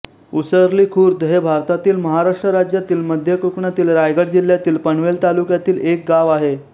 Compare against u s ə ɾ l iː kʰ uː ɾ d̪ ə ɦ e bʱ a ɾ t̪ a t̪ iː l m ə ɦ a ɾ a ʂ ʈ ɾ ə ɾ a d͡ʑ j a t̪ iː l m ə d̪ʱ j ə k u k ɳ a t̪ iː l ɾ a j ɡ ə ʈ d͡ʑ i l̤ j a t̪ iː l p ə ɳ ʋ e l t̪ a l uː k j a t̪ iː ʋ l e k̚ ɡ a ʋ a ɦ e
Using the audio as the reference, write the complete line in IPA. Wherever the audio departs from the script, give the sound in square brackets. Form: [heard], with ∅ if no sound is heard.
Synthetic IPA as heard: u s ə ɾ l iː kʰ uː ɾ d̪ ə ɦ e bʱ a ɾ t̪ a t̪ iː l m ə ɦ a ɾ a ʂ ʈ ɾ ə ɾ a d͡ʑ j a t̪ iː l m ə d̪ʱ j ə k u k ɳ a t̪ iː l ɾ a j ɡ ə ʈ d͡ʑ i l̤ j a t̪ iː l p ə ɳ ʋ e l t̪ a l [u] k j a t̪ iː [∅] l e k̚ ɡ a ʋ a ɦ e

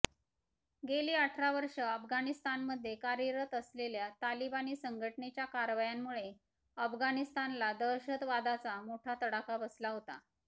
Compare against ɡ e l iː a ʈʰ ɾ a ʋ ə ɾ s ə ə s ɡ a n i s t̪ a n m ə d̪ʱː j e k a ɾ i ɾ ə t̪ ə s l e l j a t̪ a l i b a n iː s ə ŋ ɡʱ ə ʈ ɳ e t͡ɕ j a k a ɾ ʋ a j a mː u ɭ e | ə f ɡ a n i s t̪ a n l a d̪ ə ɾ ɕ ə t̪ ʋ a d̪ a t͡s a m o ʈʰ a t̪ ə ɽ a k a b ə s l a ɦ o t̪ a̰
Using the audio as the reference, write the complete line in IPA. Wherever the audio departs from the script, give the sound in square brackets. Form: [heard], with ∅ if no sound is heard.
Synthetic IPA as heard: ɡ e l iː a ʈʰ ɾ a ʋ ə ɾ [ʂ] ə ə [f] ɡ a n i s t̪ a n m ə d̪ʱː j e k a ɾ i ɾ ə t̪ ə s l e l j a t̪ a l i b a n iː s ə ŋ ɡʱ ə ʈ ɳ e t͡ɕ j a k a ɾ ʋ a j a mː u ɭ e | ə f ɡ a n i s t̪ a n l a d̪ ə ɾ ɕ ə t̪ ʋ a d̪ a t͡s a m o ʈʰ a t̪ ə ɽ a k a b ə s l a ɦ o t̪ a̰

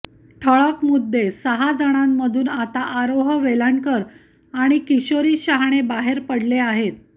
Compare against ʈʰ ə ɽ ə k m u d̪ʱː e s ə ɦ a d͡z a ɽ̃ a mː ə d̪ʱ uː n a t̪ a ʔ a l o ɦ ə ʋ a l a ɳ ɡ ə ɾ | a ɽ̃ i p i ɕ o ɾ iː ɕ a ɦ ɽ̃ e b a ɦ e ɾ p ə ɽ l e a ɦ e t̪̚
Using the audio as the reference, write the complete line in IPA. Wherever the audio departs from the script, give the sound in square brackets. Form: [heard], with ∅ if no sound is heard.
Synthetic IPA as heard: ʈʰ ə [ɭ] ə k m u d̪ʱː e s ə ɦ a d͡z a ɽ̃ a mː ə d̪ʱ uː n a t̪ a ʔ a [ɾ] o ɦ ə ʋ [e] l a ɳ [k] ə ɾ | a ɽ̃ i [k] i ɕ o ɾ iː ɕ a ɦ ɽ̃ e b a ɦ e ɾ p ə ɽ l e a ɦ e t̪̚

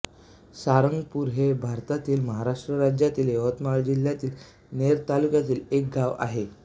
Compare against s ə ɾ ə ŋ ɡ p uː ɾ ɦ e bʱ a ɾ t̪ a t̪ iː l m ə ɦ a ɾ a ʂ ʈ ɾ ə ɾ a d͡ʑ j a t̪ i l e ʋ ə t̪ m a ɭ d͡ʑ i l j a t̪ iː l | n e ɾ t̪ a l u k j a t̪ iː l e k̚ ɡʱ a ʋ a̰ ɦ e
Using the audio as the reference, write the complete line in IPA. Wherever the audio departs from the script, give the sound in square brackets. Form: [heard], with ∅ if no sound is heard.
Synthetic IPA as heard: s [a] ɾ ə ŋ ɡ p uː ɾ ɦ e bʱ a ɾ t̪ a t̪ iː l m ə ɦ a ɾ a ʂ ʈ ɾ ə ɾ a d͡ʑ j a t̪ [iː] l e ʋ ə t̪ m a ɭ d͡ʑ i l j a t̪ iː l | n e ɾ t̪ a l u k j a t̪ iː l e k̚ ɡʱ a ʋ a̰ ɦ e

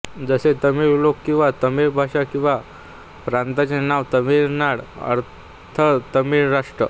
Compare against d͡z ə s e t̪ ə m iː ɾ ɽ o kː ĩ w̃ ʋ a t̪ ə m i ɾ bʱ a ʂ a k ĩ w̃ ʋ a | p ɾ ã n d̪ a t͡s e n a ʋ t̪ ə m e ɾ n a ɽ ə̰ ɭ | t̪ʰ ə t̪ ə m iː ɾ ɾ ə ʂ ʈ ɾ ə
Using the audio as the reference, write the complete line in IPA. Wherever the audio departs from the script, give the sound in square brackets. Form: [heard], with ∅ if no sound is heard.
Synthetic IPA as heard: d͡z ə s e t̪ ə m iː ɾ [l] o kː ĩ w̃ ʋ a t̪ ə m i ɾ bʱ a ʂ a k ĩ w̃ ʋ a | p ɾ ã n [t̪] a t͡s e n a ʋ t̪ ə m [i] ɾ n a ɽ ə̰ [ɾ] | t̪ʰ ə t̪ ə m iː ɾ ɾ [a] ʂ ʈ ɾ ə

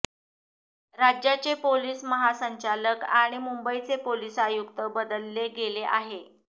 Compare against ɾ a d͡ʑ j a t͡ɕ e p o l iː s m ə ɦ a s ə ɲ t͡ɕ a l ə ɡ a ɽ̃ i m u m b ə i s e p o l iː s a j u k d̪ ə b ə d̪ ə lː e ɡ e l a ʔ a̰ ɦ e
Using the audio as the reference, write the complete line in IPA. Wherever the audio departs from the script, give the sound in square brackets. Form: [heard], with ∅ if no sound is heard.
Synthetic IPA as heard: ɾ a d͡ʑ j a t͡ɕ e p o l iː s m ə ɦ a s ə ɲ t͡ɕ a l ə [k] a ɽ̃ i m u m b ə i [t͡s] e p o l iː s a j u k [t̪] ə b ə d̪ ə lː e ɡ e l [e] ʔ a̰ ɦ e

